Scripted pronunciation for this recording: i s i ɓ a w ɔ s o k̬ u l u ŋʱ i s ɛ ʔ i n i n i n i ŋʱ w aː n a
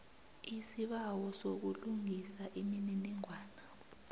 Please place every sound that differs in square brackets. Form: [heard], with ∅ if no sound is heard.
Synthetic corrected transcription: i s i ɓ a w ɔ s o k̬ u l u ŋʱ i s [a] ʔ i [m] i n i n i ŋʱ w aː n a